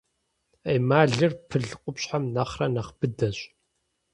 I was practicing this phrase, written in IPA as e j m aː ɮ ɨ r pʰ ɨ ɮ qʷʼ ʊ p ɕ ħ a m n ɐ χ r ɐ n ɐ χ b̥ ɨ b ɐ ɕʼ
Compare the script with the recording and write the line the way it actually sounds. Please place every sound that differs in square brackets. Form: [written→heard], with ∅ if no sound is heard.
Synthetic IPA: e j m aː ɮ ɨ r pʰ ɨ ɮ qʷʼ ʊ p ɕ ħ a m n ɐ χ r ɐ n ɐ χ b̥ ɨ [b→d] ɐ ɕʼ